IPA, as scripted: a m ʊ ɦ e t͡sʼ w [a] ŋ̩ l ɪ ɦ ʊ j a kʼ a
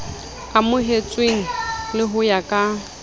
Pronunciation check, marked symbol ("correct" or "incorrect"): incorrect